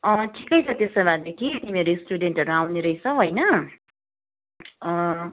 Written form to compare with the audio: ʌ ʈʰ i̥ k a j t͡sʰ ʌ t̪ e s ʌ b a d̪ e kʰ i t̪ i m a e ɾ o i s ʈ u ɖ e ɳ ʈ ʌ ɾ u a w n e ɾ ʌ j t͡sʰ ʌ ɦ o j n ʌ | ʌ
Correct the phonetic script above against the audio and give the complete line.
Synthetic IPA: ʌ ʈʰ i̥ k ʌ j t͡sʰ ʌ t̪ e s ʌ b a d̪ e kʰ i t̪ i m i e ɾ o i s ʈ u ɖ e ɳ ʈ ʌ ɾ u a w n e ɾ ʌ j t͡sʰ ʌ ɦ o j n ʌ | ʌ

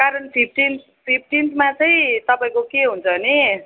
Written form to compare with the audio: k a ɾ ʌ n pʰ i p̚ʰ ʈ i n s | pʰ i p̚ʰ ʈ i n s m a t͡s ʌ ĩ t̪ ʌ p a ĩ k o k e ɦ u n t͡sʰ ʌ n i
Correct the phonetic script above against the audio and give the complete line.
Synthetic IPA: k a ɾ ʌ n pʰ i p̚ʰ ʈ i n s | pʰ i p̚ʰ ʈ i n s m a t͡s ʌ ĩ t̪ ʌ p a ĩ k o k e ɦ u n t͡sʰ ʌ n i

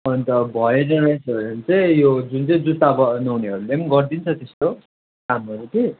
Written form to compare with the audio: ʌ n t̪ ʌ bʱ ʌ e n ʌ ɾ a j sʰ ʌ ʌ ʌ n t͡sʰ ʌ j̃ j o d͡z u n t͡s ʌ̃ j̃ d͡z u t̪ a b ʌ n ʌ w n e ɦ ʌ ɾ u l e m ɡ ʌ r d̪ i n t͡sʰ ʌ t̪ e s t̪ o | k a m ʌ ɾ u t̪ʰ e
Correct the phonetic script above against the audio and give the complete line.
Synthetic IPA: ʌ n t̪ ʌ bʱ ʌ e n ʌ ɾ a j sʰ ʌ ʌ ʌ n t͡s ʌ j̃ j o d͡z u n t͡s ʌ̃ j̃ d͡z u t̪ a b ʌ n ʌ w n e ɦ ʌ ɾ u l e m ɡ ʌ r d̪ i n t͡sʰ ʌ t̪ e s t̪ o | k a m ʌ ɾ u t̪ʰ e

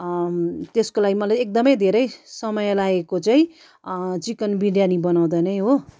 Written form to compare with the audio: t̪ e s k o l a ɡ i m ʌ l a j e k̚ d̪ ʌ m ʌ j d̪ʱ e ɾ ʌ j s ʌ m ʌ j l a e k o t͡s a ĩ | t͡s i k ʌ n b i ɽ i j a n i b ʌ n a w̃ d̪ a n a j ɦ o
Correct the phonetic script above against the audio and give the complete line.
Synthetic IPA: t̪ e s k o l a ɡ i m ʌ l a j e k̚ d̪ ʌ m ʌ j d̪ʱ e ɾ ʌ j s ʌ m ʌ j l a e k o t͡s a ĩ | t͡s i k ʌ n b i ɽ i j a n i b ʌ n a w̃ d̪ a n ʌ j ɦ o

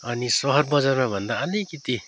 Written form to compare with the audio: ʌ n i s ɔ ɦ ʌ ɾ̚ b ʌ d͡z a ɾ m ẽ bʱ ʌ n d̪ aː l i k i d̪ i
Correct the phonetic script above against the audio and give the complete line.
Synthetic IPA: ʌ n i s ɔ ɦ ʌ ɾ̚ b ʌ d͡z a ɾ m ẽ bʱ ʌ n d̪ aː l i k i t̪ i

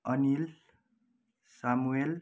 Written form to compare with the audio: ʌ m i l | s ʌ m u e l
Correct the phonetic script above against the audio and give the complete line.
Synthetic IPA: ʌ n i l | s a m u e l

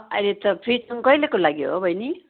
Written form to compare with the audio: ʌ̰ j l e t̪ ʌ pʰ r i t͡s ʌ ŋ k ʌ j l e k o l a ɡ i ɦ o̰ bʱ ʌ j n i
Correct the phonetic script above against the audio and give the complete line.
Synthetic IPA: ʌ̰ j l e t̪ ʌ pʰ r i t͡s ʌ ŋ k ʌ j l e k o l a ɡ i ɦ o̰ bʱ ʌ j n i

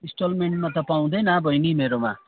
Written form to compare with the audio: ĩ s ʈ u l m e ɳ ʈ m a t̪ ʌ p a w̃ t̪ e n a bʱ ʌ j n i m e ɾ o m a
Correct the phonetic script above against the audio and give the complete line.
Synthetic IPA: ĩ s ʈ o l m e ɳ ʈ m a t̪ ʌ p a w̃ d̪ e n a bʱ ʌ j n i m e ɾ o m a

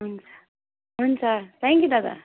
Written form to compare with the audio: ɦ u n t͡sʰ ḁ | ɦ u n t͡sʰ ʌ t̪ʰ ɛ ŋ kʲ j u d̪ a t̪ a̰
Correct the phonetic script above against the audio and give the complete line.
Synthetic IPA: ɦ u n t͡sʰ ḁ | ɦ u n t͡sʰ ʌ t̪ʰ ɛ ŋ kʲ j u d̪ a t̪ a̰

